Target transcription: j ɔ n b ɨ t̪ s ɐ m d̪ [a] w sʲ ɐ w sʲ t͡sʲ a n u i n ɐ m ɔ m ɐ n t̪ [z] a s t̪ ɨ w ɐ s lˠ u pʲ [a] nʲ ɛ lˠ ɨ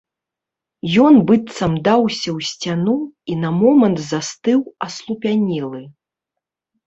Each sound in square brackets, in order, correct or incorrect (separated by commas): correct, correct, correct